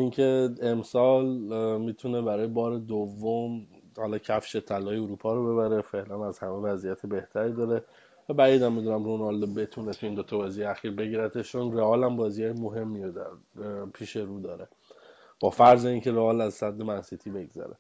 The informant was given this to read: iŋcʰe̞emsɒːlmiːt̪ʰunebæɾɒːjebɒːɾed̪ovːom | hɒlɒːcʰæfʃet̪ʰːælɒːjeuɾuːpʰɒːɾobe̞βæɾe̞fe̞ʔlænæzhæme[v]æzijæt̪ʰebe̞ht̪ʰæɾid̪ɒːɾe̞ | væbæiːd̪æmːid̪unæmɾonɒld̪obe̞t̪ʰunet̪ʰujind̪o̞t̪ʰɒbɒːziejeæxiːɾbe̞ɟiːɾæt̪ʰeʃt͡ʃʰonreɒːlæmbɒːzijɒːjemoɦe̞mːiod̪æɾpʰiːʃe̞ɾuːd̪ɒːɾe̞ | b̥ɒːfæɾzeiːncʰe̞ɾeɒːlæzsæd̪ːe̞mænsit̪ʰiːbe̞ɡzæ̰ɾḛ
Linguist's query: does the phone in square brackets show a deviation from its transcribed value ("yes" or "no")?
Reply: no